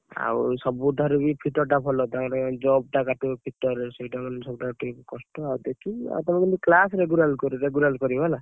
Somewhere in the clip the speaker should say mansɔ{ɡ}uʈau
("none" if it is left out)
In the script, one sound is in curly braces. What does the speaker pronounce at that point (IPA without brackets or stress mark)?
b